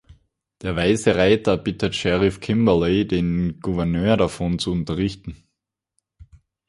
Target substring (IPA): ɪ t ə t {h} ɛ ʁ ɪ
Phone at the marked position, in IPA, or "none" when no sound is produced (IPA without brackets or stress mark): ʃ